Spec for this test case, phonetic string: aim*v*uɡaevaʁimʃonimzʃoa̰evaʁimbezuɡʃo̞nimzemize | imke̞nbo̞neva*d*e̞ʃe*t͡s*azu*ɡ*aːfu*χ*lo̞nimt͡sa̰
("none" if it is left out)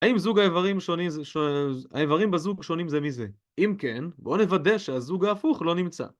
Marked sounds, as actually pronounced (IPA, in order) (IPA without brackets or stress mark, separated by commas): z, d, none, ɡ, χ